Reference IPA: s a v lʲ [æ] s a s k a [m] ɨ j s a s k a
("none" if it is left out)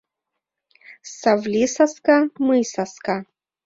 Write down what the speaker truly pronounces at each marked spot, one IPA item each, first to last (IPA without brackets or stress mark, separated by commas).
i, m